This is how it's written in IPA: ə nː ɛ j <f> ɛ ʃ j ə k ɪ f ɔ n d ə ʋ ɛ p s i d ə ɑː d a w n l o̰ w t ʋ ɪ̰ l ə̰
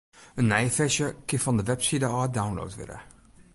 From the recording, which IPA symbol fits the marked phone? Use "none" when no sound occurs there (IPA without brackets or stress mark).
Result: f